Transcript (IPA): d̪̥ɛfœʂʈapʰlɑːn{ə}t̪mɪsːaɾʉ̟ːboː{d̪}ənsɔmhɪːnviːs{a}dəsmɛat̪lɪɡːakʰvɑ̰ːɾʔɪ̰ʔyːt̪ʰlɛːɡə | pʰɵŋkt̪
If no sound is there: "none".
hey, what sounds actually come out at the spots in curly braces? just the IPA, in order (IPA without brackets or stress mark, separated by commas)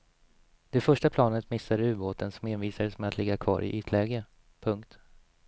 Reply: ə, t̪, a